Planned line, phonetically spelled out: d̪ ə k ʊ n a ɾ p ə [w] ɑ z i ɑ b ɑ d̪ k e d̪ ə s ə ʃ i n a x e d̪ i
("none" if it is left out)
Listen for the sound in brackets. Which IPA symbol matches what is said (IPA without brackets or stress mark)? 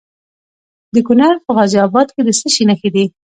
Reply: ɣ